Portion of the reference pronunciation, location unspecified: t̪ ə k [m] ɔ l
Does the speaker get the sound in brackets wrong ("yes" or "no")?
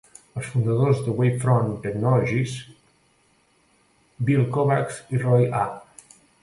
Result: yes